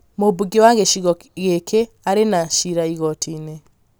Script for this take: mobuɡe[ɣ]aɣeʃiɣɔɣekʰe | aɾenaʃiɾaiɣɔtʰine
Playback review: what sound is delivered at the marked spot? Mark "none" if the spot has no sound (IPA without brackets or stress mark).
w